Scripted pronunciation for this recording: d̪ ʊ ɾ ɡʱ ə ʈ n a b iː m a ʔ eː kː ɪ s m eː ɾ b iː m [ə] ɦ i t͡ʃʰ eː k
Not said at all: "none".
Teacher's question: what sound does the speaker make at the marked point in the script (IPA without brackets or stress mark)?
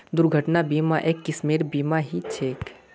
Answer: a